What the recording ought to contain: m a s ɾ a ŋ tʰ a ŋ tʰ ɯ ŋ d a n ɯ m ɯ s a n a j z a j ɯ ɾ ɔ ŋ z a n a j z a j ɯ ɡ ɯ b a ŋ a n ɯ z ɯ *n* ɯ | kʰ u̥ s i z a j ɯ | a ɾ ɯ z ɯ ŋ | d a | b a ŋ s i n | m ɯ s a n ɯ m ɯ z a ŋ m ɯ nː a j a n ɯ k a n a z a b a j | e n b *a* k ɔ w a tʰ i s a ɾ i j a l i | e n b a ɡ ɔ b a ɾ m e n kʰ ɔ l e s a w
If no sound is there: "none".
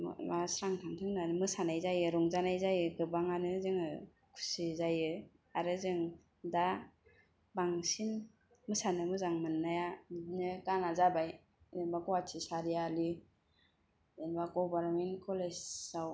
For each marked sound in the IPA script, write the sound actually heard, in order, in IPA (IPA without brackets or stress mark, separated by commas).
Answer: ŋ, a